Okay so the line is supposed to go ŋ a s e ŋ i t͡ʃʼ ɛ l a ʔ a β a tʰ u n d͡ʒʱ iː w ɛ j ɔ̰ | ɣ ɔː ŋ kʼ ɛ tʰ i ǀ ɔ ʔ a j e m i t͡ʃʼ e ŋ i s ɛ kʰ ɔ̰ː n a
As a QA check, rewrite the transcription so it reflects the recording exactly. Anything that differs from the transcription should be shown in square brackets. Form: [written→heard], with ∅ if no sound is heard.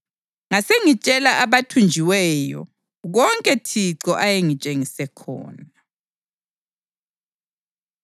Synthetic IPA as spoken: ŋ a s e ŋ i t͡ʃʼ ɛ l a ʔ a β a tʰ u n d͡ʒʱ [iː→i] w ɛ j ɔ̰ | ɣ [ɔː→ɔ] ŋ kʼ ɛ tʰ i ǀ ɔ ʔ a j e [m→ŋ] i t͡ʃʼ e ŋ i s ɛ kʰ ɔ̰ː n a